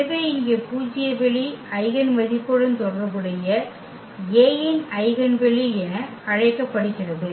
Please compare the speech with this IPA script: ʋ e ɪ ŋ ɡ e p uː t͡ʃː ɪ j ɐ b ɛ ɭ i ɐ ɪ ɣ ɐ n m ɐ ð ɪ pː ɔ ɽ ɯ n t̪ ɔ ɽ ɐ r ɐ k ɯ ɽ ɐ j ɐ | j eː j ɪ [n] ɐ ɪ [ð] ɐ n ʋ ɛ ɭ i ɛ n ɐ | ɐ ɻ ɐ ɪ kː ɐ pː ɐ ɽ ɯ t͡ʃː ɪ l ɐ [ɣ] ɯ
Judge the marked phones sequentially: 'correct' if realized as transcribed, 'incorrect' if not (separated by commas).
correct, incorrect, incorrect